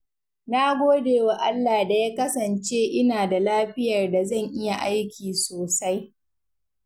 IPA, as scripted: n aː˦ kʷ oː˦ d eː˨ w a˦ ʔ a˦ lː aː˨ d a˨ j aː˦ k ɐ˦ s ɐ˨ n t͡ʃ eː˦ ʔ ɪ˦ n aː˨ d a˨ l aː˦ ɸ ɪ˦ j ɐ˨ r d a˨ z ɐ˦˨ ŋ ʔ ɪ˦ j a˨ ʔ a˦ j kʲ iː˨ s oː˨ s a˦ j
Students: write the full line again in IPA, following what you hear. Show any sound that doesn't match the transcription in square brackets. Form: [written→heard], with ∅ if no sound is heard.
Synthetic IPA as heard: n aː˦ [kʷ→ɡʷ] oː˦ d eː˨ w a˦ ʔ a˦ lː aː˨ d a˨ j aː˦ k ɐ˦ s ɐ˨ n t͡ʃ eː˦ ʔ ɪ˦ n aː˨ d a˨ l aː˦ ɸ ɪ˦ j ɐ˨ r d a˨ z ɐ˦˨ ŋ ʔ ɪ˦ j a˨ ʔ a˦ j kʲ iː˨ s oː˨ s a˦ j